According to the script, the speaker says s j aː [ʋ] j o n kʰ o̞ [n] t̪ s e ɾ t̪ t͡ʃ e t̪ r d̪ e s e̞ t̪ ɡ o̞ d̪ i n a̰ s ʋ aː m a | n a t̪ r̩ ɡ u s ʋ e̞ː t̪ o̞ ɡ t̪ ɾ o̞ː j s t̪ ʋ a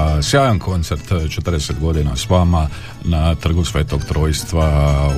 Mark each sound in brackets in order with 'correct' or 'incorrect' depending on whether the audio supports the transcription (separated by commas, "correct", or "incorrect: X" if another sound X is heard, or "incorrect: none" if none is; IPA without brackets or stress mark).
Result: incorrect: none, correct